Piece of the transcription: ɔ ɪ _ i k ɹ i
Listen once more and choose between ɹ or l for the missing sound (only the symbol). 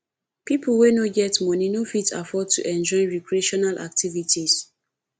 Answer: ɹ